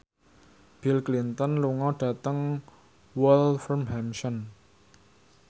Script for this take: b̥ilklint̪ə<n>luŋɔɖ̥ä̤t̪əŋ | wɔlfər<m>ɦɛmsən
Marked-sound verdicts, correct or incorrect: correct, correct

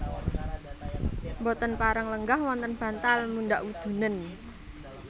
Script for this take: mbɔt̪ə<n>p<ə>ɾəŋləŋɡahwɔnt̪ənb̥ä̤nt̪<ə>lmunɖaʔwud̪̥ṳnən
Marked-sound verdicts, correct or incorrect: correct, incorrect: a, incorrect: a

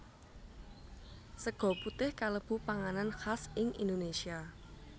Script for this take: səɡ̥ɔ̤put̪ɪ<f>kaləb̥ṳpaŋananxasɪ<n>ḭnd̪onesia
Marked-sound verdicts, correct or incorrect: incorrect: h, incorrect: ŋ

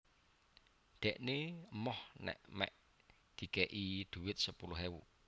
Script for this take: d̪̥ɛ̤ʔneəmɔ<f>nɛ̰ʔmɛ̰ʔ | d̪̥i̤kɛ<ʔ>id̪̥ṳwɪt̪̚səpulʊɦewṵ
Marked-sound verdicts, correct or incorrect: incorrect: h, correct

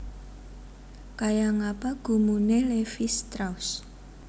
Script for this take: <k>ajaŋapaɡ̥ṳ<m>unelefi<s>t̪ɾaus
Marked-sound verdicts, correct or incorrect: correct, correct, correct

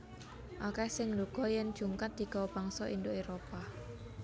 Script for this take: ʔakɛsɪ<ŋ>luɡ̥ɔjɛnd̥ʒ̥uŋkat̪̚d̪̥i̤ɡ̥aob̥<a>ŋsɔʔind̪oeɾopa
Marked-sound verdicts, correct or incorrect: correct, correct

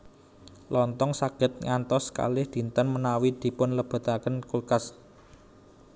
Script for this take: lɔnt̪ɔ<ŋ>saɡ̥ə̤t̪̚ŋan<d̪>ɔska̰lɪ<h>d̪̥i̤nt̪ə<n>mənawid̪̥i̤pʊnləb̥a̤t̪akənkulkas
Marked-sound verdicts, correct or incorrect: correct, incorrect: t̪, correct, correct

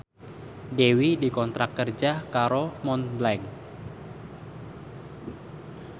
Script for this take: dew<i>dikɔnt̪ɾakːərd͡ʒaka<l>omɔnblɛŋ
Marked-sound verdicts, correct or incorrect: correct, incorrect: ɾ

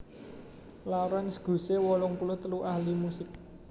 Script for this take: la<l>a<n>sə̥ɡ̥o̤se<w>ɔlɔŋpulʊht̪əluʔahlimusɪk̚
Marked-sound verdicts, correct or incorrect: incorrect: ɾ, correct, correct

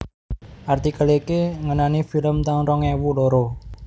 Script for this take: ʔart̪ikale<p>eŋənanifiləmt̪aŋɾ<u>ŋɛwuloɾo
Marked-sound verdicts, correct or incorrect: incorrect: k, incorrect: ɔ

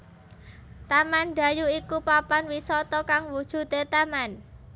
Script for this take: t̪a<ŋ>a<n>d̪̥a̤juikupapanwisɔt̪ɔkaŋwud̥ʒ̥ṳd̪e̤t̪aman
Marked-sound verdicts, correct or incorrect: incorrect: m, correct

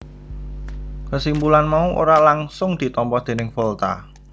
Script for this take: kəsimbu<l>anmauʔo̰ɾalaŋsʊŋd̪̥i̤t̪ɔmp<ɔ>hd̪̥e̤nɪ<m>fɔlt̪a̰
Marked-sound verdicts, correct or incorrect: correct, correct, incorrect: ŋ

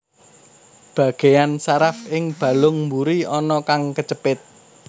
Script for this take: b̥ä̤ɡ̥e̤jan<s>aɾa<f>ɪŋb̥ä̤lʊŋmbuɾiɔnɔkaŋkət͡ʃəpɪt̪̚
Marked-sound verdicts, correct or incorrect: correct, correct

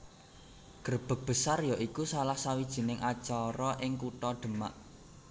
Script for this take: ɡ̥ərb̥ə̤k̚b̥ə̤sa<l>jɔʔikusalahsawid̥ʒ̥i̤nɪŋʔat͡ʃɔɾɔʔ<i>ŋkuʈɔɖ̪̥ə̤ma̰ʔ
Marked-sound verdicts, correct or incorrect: incorrect: r, incorrect: ɪ

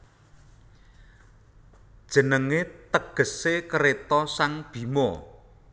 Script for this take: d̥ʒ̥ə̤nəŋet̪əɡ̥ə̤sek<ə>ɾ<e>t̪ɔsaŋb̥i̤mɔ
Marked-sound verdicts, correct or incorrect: correct, correct

